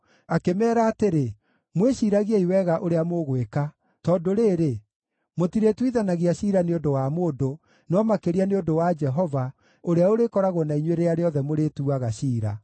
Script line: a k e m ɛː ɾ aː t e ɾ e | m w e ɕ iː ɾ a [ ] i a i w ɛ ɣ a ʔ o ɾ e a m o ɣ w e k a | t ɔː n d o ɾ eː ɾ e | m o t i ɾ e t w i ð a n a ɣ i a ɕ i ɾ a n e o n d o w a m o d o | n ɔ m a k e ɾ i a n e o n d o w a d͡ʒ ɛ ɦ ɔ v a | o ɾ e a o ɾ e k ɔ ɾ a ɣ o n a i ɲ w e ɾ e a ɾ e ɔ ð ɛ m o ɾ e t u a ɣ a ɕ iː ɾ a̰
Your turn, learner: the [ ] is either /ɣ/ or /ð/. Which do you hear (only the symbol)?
ɣ